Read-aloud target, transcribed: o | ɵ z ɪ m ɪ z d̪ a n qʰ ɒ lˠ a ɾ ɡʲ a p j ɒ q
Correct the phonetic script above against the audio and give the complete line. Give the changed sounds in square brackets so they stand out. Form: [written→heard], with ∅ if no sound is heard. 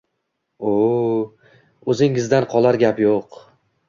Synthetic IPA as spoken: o | ɵ z ɪ [m→ŋ] ɪ z d̪ a n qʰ ɒ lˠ a ɾ ɡʲ a p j [ɒ→o] q